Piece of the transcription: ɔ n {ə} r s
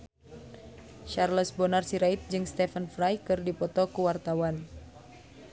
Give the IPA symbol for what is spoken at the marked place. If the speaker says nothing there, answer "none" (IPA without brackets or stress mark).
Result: a